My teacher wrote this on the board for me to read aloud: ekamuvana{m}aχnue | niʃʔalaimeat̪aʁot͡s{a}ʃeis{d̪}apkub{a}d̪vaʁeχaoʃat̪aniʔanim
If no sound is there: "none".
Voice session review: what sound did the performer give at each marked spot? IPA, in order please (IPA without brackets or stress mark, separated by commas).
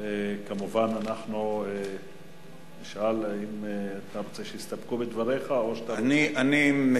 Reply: n, e, t̪, e